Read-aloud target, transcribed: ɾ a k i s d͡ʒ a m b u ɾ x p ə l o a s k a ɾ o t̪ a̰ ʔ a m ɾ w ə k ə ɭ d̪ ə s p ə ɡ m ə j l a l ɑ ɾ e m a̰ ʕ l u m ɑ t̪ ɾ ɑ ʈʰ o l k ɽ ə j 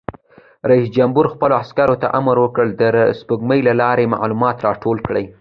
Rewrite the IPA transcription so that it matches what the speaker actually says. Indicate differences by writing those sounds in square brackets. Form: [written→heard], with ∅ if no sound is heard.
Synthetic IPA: ɾ a [k→∅] i s d͡ʒ a m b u ɾ x p ə l o a s k a ɾ o t̪ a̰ ʔ a m ɾ w ə k ə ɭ d̪ ə s p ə ɡ m ə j l a l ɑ ɾ e m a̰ ʕ l u m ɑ t̪ ɾ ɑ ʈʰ o l k ɽ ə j